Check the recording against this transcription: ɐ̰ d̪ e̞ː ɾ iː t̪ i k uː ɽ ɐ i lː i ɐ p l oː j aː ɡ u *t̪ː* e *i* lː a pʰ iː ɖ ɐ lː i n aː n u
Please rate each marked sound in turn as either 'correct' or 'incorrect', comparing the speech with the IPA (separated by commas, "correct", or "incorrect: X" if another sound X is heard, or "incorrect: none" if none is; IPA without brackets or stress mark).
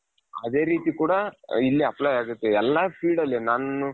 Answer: correct, incorrect: ɛ